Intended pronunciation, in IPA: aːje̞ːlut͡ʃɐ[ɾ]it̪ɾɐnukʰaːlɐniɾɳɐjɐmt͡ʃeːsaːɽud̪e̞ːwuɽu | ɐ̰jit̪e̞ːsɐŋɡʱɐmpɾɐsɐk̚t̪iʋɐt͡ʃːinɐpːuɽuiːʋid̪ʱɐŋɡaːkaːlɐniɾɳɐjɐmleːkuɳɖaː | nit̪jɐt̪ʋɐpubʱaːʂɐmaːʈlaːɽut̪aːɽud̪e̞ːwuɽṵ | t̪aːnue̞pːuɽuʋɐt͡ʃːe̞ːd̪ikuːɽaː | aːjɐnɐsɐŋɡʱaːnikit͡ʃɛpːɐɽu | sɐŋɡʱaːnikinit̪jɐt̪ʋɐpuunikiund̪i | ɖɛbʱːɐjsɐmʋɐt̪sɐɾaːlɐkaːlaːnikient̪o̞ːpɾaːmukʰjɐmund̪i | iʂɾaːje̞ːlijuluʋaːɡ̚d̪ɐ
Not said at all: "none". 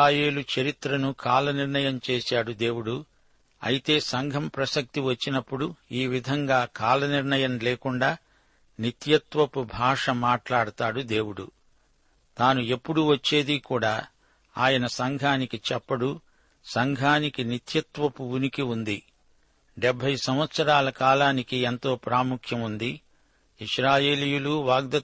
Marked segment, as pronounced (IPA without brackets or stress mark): ɾ